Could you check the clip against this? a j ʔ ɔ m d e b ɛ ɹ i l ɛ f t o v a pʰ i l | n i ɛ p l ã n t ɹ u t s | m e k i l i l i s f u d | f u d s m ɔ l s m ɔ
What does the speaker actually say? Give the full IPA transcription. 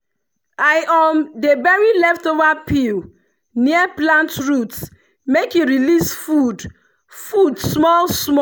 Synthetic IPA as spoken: a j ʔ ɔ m d e b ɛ ɹ i l ɛ f t o v a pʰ i l | n i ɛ p l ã n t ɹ u t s | m e k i ɹ i l i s f u d | f u d s m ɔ l s m ɔ

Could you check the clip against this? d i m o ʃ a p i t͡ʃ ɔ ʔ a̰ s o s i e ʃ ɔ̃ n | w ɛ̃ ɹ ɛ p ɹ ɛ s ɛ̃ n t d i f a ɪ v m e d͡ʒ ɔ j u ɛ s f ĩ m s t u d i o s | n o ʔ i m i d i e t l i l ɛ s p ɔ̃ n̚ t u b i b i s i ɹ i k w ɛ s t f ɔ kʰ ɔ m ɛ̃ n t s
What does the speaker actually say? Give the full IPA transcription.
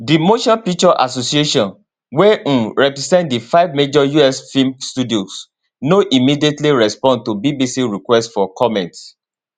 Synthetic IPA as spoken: d i m o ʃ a p i t͡ʃ ɔ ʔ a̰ s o s i e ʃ ɔ̃ n | w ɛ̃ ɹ ɛ p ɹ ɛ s ɛ̃ n t d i f a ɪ v m e d͡ʒ ɔ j u ɛ s f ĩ m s t u d i o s | n o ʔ i m i d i e t l i ɹ ɛ s p ɔ̃ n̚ t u b i b i s i ɹ i k w ɛ s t f ɔ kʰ ɔ m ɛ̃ n t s

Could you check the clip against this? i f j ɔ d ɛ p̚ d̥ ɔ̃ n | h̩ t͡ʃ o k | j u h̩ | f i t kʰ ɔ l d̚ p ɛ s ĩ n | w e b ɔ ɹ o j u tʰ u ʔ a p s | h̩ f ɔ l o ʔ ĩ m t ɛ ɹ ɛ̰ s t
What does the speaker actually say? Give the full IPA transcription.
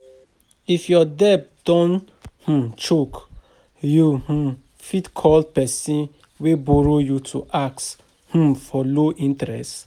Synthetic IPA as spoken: i f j ɔ d ɛ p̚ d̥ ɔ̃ n | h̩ t͡ʃ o k | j u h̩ | f i t kʰ ɔ l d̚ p ɛ s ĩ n | w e b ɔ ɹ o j u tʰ u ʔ a k s | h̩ f ɔ l o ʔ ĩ n t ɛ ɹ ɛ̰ s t

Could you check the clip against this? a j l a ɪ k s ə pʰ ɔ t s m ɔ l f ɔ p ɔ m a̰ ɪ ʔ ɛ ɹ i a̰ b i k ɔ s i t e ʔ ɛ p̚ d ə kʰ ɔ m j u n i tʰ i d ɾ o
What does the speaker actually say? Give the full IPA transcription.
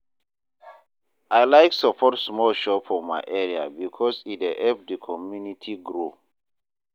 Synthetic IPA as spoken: a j l a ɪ k s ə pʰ ɔ t s m ɔ l ʃ ɔ p ɔ m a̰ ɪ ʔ ɛ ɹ i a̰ b i kʰ ɔ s i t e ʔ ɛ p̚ d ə kʰ ɔ m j u n i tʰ i ɡ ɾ o

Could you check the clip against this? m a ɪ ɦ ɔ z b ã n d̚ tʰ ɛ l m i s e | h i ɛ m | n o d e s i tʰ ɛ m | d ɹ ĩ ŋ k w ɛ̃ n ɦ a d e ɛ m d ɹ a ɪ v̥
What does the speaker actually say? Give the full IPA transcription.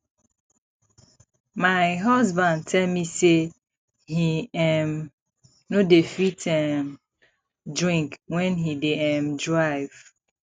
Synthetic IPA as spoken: m a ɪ ɦ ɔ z b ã n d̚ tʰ ɛ l m i s e | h i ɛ m | n o d e f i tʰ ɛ m | d ɹ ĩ ŋ k w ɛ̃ n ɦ i d e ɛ m d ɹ a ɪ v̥

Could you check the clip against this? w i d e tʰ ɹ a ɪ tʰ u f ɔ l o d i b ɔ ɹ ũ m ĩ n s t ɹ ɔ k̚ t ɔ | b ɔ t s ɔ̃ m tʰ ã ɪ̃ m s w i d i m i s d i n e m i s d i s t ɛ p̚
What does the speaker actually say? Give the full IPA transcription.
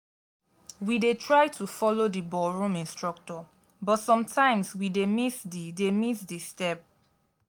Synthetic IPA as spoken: w i d e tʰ ɹ a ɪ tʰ u f ɔ l o d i b ɔ ɹ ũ m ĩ n s t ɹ ɔ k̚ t ɔ | b ɔ t s ɔ̃ m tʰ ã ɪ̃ m s w i d e m i s d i d e m i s d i s t ɛ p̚

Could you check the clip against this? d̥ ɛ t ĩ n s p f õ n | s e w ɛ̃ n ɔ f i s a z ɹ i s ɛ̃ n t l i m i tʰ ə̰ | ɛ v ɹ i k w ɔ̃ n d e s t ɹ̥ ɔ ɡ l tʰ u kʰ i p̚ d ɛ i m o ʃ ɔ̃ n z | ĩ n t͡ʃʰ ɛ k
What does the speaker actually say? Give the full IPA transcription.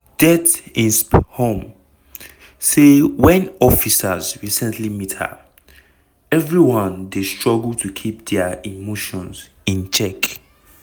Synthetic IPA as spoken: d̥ ɛ t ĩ n s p h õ m | s e w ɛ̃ n ɔ f i s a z ɹ i s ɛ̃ n t l i m i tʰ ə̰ | ɛ v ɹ i w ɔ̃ n d e s t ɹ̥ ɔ ɡ l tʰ u kʰ i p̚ d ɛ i m o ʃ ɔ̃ n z | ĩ n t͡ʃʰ ɛ k

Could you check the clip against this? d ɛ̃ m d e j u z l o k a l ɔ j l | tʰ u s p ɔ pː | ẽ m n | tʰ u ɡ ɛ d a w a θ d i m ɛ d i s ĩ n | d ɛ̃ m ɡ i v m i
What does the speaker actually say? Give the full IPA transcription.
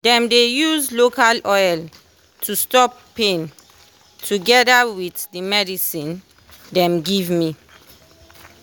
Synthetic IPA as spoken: d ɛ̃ m d e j u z l o k a l ɔ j l | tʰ u s t ɔ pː | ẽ n | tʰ u ɡ ɛ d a w i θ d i m ɛ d i s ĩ n | d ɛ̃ m ɡ i v m i

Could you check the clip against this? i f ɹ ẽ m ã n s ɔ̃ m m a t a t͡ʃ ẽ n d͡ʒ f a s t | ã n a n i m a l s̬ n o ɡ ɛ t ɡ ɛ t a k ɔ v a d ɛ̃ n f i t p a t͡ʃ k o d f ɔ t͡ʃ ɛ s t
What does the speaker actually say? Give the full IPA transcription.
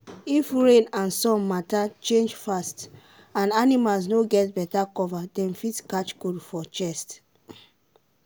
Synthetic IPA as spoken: i f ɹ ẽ n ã n s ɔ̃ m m a t a t͡ʃ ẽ n d͡ʒ f a s t | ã n a n i m a l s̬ n o ɡ ɛ t b ɛ t a k ɔ v a d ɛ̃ n f i t k a t͡ʃ k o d f ɔ t͡ʃ ɛ s t

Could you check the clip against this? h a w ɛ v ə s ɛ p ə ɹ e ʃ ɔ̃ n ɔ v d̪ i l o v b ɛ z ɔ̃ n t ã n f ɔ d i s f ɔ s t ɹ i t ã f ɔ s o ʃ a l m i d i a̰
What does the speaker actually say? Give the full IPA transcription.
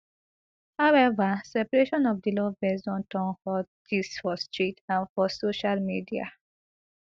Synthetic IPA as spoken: h a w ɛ v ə s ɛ p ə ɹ e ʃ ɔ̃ n ɔ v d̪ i l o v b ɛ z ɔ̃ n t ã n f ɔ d i s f ɔ s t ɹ i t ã f ɔ s o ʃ a l m i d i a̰

